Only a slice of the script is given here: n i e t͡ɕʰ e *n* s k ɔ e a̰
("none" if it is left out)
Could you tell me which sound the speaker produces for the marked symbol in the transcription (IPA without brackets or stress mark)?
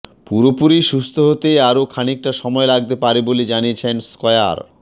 n